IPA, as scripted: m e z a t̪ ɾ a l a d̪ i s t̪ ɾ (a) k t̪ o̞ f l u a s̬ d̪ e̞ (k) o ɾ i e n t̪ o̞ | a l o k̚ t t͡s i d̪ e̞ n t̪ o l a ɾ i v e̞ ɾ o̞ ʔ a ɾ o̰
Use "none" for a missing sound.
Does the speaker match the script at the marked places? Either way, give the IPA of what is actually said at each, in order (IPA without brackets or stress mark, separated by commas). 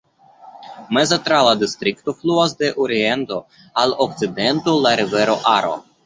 i, ʔ